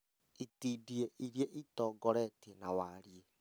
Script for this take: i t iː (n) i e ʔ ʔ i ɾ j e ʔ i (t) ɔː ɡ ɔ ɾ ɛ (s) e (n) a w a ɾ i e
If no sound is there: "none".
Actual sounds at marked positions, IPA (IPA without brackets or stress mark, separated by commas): d, t, t, n